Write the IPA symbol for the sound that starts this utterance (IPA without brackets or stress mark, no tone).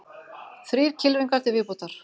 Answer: θ